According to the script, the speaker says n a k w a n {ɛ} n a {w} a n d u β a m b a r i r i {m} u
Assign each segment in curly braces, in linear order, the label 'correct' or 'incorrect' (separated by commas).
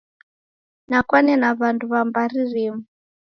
correct, incorrect, correct